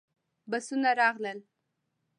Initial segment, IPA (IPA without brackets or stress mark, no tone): b